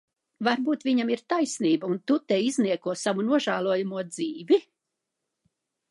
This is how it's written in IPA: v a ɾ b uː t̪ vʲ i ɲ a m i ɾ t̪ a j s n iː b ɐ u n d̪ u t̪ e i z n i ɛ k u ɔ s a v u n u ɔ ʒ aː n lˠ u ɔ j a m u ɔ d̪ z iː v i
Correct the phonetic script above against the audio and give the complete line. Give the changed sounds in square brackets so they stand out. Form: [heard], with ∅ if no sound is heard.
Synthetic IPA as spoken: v a ɾ b uː t̪ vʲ i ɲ a m i ɾ t̪ a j s n iː b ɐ u n [t̪] u t̪ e i z n i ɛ k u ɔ s a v u n u ɔ ʒ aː [∅] lˠ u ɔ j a m u ɔ d̪ z iː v i

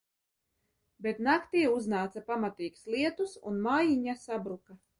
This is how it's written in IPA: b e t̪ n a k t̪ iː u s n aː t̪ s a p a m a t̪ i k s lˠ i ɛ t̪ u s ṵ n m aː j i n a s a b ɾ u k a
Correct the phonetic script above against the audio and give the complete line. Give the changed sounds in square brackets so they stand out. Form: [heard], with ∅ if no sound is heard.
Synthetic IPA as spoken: b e t̪ n a k t̪ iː u [z] n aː t̪ s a p a m a t̪ [iː] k s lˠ i ɛ t̪ u s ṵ n m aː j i [ɲ] a s a b ɾ u k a

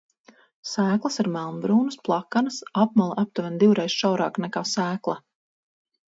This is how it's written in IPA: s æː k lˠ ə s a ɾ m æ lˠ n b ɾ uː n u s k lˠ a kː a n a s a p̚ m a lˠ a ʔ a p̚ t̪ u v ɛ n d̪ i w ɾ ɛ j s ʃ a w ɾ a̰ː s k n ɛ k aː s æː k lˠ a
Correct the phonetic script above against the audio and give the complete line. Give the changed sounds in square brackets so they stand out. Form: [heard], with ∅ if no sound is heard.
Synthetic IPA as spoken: s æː k lˠ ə s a ɾ m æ lˠ n b ɾ uː n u s [p] lˠ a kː a n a s a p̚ m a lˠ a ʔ a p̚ t̪ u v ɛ n d̪ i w ɾ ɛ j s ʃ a w ɾ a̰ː [∅] k n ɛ k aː s æː k lˠ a

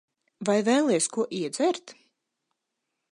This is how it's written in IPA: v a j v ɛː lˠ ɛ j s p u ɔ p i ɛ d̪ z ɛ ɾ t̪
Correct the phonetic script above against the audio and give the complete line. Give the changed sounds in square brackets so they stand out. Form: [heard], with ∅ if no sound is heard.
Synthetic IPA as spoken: v a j v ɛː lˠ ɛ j s [k] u ɔ [ʔ] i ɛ d̪ z ɛ ɾ t̪

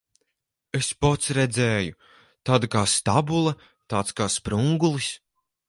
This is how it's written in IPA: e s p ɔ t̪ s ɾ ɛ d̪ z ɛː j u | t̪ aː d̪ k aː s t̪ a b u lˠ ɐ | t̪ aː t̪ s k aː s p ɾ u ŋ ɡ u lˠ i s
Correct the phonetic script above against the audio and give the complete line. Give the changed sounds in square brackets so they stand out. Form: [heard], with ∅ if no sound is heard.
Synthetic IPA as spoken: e s p ɔ t̪ s ɾ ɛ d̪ z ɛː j u | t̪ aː d̪ k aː s t̪ a b u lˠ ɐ | t̪ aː t̪ s k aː s p ɾ u ŋ ɡ u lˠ i s

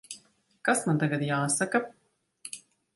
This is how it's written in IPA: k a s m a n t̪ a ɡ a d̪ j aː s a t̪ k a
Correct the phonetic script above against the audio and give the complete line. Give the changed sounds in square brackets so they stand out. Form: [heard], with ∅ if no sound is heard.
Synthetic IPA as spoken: k a s m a n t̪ a ɡ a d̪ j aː s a [∅] k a

